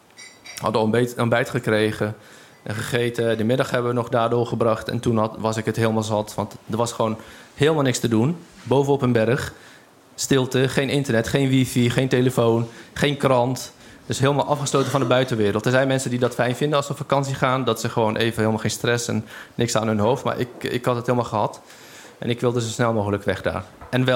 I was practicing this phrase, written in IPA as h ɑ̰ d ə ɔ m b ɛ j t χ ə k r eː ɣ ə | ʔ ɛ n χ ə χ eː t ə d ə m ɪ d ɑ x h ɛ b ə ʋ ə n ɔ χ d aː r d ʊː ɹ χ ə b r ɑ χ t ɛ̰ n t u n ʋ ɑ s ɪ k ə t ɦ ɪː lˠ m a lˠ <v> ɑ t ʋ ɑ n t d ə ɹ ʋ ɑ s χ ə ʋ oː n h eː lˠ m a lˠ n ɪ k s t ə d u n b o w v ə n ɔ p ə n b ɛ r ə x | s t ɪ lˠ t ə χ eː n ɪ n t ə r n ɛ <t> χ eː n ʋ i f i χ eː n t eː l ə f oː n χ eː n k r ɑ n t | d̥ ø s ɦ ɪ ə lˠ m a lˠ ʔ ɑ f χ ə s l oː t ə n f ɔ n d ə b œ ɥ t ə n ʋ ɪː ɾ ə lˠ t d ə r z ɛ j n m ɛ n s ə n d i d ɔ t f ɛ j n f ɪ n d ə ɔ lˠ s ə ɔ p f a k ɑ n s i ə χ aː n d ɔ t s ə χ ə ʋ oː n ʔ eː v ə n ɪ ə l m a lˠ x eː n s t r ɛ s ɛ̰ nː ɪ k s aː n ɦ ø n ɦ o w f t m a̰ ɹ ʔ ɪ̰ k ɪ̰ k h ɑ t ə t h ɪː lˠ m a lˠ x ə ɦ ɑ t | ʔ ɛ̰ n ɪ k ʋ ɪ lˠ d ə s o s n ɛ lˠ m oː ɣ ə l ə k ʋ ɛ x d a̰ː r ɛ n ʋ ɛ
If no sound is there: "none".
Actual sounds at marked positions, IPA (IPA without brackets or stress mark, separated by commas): z, t